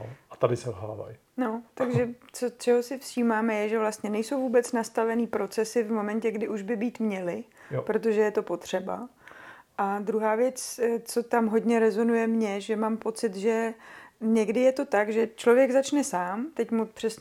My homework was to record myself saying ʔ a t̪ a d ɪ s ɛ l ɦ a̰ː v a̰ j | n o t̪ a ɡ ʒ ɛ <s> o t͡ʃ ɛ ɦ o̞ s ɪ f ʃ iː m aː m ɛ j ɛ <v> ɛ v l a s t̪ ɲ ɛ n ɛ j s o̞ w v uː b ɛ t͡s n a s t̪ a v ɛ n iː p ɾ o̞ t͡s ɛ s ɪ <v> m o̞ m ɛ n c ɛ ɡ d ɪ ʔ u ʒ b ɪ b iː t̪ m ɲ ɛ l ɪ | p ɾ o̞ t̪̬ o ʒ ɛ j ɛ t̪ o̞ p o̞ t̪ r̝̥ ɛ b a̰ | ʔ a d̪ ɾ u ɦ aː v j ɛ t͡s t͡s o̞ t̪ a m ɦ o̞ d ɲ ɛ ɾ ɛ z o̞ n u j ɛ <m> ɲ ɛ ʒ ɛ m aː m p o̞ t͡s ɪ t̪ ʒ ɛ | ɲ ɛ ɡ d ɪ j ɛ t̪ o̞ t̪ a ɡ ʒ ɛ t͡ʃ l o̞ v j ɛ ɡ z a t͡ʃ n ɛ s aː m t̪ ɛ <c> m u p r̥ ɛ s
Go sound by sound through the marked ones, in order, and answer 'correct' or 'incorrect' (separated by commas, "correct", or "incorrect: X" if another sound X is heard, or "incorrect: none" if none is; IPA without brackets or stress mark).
incorrect: t͡s, incorrect: ʒ, correct, correct, correct